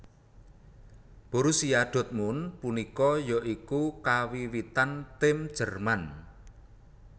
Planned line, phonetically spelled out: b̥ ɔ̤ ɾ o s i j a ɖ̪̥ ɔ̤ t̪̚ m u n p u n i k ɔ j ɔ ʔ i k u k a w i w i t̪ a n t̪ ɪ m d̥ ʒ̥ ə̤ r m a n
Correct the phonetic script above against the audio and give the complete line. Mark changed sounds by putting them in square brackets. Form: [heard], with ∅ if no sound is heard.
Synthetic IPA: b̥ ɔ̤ ɾ [u] s i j a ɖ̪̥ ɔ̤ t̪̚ m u n p u n i k ɔ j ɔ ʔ i k u k a w i w i t̪ a n t̪ ɪ m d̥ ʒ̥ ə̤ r m a n